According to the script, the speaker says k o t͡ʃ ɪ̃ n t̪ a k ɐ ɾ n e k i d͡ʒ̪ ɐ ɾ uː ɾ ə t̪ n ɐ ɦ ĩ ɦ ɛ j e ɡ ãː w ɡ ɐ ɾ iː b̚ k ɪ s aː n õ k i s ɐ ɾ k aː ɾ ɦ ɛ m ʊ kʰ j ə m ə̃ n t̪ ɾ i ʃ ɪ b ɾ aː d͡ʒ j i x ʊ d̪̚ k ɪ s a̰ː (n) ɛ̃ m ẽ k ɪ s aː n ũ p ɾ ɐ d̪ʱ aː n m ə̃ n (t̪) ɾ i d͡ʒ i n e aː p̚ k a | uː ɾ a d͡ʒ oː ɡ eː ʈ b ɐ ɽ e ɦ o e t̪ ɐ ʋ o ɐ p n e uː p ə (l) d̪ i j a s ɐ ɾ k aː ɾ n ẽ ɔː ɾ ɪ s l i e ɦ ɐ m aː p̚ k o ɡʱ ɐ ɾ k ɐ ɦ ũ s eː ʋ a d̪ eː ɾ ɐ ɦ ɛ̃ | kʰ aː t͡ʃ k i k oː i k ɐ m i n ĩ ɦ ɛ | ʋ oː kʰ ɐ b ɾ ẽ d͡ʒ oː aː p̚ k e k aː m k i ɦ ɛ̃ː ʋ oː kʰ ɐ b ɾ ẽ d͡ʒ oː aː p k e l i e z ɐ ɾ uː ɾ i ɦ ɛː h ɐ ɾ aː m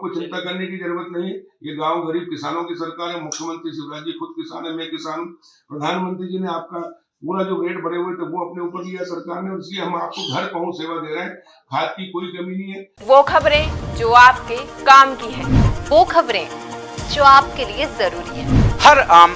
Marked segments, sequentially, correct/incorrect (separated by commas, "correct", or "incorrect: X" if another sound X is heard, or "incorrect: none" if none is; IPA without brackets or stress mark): correct, correct, incorrect: ɾ